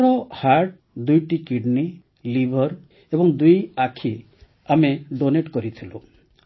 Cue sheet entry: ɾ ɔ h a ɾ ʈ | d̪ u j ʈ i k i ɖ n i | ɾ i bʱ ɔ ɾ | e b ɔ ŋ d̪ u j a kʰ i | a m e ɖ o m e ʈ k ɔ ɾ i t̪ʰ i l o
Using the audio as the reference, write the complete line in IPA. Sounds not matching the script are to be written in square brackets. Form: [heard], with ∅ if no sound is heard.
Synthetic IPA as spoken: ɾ ɔ h a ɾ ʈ | d̪ u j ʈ i k i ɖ n i | [l] i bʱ ɔ ɾ | e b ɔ ŋ d̪ u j a kʰ i | a m e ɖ o [n] e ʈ k ɔ ɾ i t̪ʰ i l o

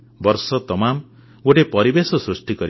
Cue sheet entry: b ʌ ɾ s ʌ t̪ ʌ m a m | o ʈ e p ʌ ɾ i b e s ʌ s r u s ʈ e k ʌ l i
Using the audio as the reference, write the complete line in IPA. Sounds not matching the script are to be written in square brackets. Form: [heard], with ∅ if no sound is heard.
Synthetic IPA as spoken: b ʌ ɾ s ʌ t̪ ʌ m a m | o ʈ e p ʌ ɾ i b e s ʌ s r u s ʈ [i] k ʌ [ɾ] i

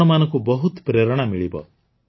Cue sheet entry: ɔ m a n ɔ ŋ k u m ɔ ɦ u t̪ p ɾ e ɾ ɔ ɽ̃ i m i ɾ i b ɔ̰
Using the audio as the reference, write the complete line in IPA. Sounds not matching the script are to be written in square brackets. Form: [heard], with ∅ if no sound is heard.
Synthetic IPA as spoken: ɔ m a n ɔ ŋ k u [b] ɔ ɦ u t̪ p ɾ e ɾ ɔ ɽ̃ [a] m i [ɭ] i b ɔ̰

